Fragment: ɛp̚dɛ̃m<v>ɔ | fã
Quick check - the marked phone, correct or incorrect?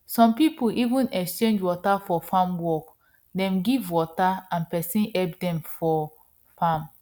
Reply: incorrect